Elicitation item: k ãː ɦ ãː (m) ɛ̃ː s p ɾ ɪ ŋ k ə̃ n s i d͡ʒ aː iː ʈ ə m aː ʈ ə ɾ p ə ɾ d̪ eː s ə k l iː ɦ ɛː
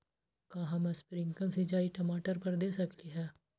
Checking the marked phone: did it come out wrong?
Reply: no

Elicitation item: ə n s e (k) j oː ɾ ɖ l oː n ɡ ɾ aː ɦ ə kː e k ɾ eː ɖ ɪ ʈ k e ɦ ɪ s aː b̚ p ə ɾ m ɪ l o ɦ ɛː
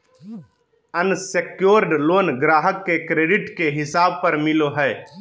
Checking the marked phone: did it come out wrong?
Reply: no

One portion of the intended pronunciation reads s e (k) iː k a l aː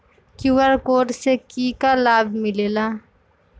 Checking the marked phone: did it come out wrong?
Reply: no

